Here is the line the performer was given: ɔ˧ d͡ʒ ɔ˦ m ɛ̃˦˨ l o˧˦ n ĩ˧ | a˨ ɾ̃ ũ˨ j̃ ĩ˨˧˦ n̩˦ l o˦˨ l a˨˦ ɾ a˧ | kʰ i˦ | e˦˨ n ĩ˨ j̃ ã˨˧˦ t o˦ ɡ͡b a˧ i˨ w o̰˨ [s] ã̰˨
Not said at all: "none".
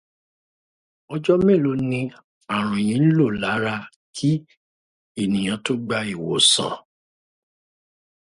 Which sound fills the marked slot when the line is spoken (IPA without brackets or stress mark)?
s